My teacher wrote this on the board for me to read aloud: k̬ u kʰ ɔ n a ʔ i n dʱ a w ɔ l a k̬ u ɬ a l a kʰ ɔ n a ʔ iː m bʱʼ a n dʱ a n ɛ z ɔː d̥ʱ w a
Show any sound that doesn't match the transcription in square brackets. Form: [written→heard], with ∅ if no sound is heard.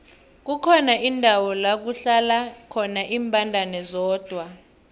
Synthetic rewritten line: k̬ u kʰ ɔ n a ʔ i n dʱ a w ɔ l a k̬ u ɬ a l a kʰ ɔ n a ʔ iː m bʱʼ a n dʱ a n ɛ z ɔː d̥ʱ w a